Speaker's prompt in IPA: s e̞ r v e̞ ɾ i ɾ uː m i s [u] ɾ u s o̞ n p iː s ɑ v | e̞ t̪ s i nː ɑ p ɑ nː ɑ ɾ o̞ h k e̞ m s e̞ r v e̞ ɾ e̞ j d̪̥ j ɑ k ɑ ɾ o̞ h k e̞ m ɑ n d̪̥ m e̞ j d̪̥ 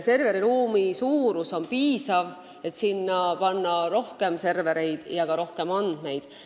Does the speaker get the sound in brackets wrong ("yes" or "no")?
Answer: yes